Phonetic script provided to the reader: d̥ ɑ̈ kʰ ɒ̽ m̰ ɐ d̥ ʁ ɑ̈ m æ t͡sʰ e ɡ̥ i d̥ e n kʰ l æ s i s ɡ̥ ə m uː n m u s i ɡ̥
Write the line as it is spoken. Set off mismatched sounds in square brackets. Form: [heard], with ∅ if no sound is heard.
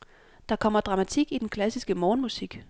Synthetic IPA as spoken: d̥ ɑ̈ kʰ ɒ̽ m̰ ɐ d̥ ʁ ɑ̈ m æ t͡sʰ [i] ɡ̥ i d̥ e n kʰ l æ s i s ɡ̥ ə m [ɒː] n m u s i ɡ̥